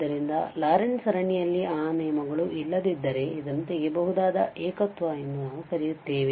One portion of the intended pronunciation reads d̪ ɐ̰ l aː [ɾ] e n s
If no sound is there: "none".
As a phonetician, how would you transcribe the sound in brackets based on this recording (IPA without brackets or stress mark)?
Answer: ɾ